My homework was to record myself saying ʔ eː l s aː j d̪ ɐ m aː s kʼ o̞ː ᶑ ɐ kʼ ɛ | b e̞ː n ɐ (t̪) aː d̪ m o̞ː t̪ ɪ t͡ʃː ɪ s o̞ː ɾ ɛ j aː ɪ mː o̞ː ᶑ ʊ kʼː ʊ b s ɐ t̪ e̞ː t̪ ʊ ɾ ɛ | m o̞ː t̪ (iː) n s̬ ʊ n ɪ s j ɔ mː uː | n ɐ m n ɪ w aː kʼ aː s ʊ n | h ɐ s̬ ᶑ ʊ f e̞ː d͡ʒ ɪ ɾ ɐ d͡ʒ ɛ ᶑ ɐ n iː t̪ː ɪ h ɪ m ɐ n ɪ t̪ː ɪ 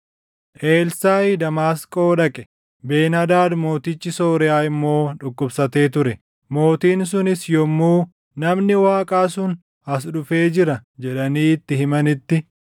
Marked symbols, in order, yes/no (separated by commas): no, yes